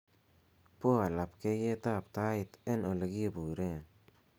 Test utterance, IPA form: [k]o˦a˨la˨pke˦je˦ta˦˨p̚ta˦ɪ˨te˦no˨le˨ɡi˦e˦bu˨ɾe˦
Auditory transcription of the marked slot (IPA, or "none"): p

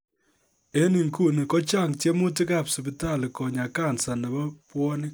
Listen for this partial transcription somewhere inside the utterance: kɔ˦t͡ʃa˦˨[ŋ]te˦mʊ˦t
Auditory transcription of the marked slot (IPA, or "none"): ŋ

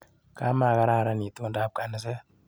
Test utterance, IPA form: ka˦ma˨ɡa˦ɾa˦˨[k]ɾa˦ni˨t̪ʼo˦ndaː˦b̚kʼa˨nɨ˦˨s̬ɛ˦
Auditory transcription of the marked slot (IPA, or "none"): none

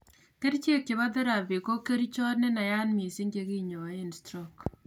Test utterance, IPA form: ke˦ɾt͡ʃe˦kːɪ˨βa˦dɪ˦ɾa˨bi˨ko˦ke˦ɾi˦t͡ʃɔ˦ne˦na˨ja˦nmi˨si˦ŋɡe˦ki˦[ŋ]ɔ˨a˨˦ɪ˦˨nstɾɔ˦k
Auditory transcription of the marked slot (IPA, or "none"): ɲ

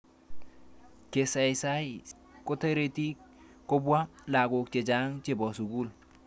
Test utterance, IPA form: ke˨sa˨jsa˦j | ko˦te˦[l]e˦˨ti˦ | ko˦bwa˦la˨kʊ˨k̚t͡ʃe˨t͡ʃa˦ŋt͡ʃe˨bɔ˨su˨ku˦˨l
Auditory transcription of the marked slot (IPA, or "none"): ɾ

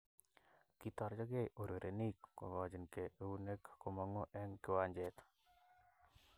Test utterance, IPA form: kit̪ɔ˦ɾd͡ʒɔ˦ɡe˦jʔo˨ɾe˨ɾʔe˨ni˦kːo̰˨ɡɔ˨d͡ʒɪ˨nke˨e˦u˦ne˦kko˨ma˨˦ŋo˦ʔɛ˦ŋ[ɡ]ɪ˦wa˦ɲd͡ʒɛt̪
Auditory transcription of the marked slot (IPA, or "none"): k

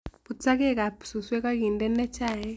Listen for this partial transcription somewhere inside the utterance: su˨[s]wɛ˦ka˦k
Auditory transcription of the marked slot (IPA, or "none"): s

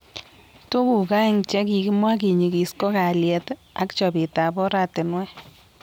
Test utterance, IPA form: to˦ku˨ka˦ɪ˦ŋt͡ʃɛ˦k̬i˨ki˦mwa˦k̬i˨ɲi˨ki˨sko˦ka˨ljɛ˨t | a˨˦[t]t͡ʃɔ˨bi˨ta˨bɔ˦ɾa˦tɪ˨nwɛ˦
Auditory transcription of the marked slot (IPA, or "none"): k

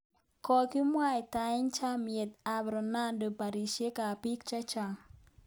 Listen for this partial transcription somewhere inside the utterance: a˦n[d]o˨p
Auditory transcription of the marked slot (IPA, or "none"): d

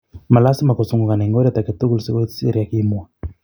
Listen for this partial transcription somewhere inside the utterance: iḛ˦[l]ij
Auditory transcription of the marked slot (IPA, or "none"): ɾ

